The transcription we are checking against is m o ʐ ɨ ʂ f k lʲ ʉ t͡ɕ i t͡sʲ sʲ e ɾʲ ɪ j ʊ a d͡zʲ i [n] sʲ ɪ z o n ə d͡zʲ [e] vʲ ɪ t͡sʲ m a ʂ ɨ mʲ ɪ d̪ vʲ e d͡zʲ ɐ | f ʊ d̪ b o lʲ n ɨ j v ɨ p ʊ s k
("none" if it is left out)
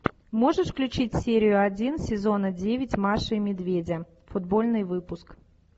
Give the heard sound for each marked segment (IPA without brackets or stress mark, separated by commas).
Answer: n, e